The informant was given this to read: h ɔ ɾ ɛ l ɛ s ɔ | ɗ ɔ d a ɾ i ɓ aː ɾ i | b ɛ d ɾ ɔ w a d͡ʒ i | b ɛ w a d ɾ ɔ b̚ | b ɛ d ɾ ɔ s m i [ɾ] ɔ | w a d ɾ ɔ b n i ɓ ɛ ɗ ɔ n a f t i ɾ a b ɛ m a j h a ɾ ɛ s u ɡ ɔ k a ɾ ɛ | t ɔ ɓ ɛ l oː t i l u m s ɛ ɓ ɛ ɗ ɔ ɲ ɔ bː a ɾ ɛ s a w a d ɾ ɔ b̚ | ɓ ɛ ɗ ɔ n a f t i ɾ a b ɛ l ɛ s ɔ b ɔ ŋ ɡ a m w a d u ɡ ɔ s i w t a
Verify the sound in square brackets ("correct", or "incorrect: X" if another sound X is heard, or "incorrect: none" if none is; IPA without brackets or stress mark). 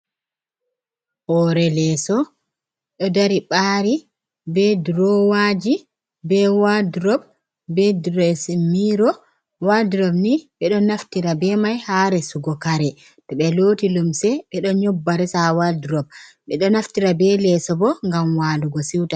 correct